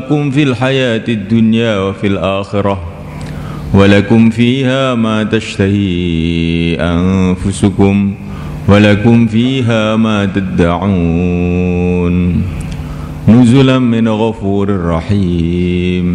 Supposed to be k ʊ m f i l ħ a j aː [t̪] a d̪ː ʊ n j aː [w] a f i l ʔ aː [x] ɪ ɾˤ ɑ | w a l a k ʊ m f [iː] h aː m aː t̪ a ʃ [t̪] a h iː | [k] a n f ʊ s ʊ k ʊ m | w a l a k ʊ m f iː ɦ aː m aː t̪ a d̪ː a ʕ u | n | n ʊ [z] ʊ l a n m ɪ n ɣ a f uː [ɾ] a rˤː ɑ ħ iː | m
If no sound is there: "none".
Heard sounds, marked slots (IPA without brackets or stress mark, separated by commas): t̪, w, x, iː, t̪, ʔ, z, ɾ